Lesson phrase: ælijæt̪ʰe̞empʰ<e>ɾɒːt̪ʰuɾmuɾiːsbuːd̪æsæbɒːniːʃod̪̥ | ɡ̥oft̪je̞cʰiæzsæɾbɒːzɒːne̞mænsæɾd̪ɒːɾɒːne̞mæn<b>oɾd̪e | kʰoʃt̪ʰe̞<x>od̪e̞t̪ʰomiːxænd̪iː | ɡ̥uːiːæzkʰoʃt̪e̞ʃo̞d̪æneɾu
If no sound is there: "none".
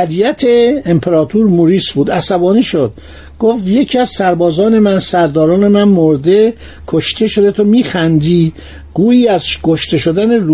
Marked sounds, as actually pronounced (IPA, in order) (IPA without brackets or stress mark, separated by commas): e, m, ʃ